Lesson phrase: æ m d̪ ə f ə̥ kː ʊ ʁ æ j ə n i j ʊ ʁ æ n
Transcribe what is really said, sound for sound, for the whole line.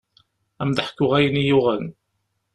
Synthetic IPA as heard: æ m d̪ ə ħ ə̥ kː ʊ ʁ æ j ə n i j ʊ ʁ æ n